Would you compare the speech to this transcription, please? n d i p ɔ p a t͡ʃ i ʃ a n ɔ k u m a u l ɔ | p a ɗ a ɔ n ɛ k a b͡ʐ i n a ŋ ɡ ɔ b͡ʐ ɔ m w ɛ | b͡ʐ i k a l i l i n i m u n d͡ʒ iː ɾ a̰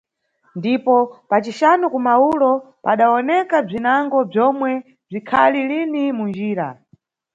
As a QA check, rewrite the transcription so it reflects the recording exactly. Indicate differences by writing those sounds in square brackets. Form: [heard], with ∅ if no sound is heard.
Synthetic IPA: n d i p ɔ p a t͡ʃ i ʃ a n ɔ k u m a u l ɔ | p a ɗ a ɔ n ɛ k a b͡ʐ i n a ŋ ɡ ɔ b͡ʐ ɔ m w ɛ | b͡ʐ i [kʰ] a l i l i n i m u n d͡ʒ iː ɾ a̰